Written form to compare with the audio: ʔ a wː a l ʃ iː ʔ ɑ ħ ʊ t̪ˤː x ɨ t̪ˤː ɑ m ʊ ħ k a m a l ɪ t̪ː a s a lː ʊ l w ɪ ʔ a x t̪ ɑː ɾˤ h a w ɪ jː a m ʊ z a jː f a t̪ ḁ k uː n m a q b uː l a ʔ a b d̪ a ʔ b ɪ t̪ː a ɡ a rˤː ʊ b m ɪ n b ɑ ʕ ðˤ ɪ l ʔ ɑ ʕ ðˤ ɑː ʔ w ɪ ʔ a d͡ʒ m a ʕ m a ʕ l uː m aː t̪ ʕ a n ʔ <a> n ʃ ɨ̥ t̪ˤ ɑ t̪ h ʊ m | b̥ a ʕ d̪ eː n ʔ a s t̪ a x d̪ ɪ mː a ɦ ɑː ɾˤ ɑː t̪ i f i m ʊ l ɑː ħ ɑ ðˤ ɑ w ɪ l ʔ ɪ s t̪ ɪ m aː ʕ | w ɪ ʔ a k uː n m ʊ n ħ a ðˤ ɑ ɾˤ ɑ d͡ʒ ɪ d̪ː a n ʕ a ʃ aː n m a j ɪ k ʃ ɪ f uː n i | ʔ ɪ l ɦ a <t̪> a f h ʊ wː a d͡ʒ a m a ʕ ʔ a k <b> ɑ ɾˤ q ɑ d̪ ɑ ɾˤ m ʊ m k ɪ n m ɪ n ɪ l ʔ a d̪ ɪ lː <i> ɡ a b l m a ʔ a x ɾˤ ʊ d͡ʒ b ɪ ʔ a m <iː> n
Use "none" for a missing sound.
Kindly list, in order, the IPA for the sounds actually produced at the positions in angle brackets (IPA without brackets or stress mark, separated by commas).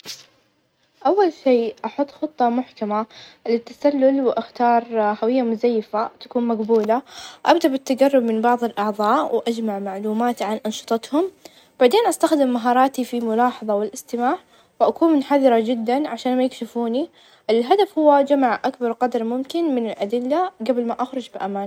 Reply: ɑ, d̪, b, a, aː